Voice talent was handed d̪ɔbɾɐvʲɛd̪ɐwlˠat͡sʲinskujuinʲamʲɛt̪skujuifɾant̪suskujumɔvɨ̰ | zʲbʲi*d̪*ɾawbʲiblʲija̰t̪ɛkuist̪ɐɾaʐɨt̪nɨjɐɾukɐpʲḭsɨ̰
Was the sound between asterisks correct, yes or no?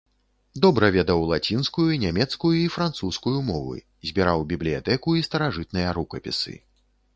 no